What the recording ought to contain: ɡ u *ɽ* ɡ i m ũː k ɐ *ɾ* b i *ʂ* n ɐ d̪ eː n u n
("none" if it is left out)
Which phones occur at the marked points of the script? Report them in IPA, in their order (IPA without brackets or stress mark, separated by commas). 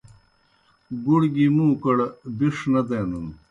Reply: ɽ, ɽ, ʂ